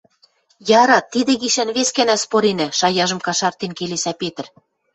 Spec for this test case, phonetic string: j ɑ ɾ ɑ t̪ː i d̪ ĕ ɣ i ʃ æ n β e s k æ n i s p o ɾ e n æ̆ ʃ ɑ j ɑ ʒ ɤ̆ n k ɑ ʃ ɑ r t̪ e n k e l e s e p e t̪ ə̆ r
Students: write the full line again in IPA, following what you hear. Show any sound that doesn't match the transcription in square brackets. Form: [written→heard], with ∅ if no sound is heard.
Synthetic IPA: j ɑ ɾ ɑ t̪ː i d̪ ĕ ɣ i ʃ æ n β e s k æ n [i→æ] s p o ɾ e n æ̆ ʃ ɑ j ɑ ʒ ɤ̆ [n→m] k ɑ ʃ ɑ r t̪ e n k e l e s [e→æ] p e t̪ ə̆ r